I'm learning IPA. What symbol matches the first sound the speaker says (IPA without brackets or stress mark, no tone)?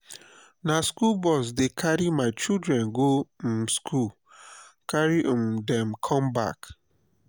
n